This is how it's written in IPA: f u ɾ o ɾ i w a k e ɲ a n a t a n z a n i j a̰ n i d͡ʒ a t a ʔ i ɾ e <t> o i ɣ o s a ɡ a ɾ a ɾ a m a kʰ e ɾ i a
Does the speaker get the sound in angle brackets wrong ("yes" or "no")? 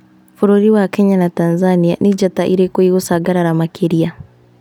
yes